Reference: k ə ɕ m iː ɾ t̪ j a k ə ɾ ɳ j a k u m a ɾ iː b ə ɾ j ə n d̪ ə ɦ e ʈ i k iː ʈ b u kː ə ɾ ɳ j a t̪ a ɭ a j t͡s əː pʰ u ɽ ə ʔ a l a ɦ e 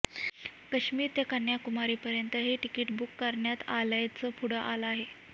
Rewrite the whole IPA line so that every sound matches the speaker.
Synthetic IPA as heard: k ə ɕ m iː ɾ t̪ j a k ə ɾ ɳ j a k u m a ɾ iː p ə ɾ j ə n t̪ ə ɦ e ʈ i k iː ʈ b u kː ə ɾ ɳ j a t̪ a l a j t͡s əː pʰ u ɽ ə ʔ a l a ɦ e